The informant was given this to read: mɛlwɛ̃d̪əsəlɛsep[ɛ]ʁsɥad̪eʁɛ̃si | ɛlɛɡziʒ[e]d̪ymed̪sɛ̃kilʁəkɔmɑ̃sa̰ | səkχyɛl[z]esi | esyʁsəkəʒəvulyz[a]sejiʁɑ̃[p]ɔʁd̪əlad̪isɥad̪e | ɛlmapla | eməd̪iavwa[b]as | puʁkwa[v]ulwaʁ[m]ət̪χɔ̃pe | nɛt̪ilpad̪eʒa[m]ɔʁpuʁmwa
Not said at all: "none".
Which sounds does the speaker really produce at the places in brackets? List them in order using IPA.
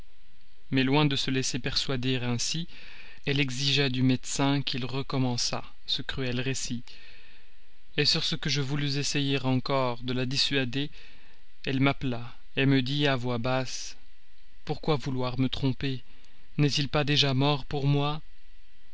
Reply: ɛ, a, ʁ, e, k, b, v, m, m

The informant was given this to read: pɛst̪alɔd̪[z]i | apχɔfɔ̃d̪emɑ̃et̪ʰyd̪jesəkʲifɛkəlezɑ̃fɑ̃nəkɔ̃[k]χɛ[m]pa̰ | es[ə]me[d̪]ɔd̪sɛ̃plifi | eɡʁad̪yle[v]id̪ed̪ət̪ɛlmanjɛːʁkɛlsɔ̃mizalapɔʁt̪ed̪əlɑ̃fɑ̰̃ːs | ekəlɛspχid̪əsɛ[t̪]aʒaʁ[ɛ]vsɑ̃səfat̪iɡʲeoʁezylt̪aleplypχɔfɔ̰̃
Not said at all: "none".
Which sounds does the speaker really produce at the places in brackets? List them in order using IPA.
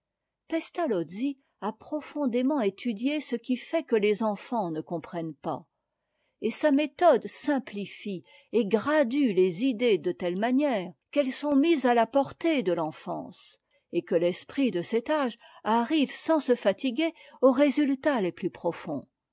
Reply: z, p, n, a, t̪, z, t̪, i

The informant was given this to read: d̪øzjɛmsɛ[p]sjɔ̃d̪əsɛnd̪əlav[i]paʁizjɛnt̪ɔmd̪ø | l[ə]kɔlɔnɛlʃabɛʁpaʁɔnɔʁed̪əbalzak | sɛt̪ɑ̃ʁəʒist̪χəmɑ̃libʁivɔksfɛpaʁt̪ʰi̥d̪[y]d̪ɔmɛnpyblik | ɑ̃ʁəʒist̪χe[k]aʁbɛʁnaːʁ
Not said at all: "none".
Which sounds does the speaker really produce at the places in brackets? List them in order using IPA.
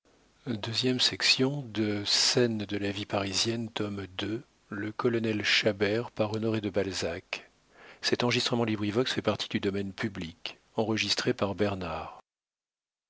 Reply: k, i, ə, y, p

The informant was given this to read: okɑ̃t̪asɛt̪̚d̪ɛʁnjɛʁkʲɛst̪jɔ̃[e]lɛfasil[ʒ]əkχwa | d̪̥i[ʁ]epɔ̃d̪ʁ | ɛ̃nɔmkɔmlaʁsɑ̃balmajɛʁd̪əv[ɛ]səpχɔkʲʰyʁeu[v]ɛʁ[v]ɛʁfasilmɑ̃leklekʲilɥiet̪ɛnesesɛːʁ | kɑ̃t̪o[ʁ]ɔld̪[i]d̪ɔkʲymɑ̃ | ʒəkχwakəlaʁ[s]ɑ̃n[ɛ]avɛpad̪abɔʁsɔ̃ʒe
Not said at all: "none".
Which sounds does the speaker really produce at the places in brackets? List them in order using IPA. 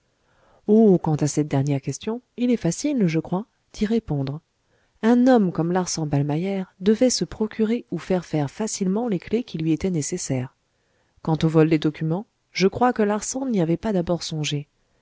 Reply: i, ʒ, ʁ, ɛ, f, f, v, e, s, i

